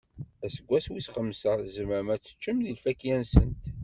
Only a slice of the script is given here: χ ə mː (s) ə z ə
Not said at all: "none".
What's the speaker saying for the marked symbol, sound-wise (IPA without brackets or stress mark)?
s